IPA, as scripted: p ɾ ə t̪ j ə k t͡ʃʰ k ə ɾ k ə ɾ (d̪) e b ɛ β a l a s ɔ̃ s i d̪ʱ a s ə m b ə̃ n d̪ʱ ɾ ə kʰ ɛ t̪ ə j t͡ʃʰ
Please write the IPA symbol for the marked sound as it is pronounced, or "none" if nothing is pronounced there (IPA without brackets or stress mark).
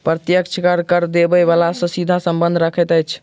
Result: d̪